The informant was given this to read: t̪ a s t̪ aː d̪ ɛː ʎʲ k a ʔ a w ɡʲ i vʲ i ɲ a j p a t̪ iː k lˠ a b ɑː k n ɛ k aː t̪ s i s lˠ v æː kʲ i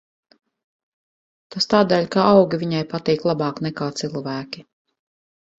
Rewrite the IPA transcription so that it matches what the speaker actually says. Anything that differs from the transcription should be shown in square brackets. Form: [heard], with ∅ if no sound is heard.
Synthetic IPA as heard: t̪ a s t̪ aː d̪ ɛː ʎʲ k a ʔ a w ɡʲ i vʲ i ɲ a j p a t̪ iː k lˠ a b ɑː k n ɛ k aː t̪ s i [∅] lˠ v æː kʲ i